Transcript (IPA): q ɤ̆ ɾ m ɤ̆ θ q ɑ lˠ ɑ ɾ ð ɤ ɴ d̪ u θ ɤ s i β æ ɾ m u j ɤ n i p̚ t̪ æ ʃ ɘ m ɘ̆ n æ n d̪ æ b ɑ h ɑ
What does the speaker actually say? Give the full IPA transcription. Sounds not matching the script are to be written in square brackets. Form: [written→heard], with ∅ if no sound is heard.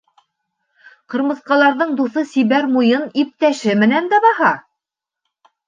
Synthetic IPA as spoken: q ɤ̆ ɾ m ɤ̆ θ q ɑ lˠ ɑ ɾ ð ɤ ɴ d̪ u θ ɤ s i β æ ɾ m u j ɤ n i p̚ t̪ æ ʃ ɘ m ɘ̆ n æ n d̪ æ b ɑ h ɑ